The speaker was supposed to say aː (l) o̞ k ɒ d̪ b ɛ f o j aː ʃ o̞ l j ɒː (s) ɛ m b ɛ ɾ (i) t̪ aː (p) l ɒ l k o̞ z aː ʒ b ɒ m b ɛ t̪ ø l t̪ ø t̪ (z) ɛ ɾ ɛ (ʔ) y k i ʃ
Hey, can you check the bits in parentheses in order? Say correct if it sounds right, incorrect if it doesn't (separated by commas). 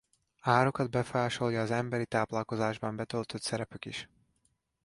incorrect, incorrect, correct, correct, incorrect, incorrect